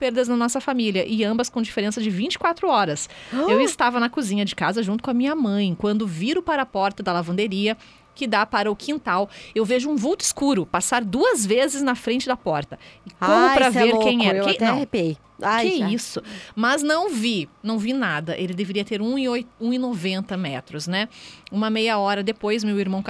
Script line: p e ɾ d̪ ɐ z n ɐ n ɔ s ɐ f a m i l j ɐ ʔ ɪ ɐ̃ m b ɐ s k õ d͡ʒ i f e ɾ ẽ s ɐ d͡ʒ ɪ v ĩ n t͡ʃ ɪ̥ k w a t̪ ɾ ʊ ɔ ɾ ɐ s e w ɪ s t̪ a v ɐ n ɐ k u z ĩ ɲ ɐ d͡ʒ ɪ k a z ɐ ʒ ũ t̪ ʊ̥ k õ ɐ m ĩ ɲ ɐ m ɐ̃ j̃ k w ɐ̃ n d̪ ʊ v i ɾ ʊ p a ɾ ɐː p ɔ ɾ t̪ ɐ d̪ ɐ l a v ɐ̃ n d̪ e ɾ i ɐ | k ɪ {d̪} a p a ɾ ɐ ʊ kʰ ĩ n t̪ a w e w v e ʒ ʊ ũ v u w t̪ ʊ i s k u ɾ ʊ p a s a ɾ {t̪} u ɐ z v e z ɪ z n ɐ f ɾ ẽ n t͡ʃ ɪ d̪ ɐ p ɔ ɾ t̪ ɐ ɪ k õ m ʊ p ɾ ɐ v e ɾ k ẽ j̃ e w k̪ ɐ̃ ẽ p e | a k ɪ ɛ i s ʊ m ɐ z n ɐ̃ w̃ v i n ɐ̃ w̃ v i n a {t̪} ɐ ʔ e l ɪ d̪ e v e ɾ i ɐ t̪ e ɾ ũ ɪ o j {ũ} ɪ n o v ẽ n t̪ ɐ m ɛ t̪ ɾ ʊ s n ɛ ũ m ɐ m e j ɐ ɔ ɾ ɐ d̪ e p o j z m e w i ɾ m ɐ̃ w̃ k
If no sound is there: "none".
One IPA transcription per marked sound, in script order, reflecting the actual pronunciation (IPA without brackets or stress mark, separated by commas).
d̪, d̪, d̪, ũ